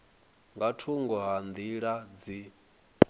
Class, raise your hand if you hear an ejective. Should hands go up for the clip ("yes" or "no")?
no